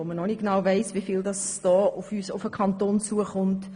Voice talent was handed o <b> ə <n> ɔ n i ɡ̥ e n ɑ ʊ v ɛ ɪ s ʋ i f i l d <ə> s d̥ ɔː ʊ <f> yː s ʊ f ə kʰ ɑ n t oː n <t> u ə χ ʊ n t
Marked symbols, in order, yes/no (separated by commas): no, yes, no, yes, no